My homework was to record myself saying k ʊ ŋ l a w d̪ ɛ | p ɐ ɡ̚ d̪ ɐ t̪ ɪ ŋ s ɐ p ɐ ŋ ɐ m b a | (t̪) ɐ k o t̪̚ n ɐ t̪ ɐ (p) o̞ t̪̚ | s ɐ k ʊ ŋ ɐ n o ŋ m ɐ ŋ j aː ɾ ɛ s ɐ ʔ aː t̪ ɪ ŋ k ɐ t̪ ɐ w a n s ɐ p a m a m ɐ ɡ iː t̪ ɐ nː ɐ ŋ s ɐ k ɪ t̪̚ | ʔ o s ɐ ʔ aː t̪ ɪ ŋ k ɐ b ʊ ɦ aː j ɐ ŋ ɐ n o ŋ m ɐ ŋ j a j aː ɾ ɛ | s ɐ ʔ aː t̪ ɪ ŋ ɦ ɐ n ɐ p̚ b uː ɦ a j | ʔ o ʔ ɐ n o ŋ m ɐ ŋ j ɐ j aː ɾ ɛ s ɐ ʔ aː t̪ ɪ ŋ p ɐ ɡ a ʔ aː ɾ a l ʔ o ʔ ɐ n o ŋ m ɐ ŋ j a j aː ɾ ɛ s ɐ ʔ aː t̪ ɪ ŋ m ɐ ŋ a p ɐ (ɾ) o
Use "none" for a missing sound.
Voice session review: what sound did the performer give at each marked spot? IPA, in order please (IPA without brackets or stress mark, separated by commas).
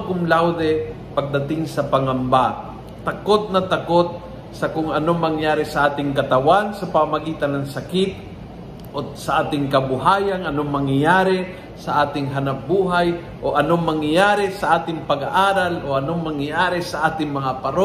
t̪, k, ɾ